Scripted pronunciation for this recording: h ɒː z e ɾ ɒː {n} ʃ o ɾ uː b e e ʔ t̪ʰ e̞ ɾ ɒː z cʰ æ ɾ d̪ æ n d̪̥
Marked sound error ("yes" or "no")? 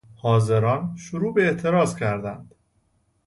no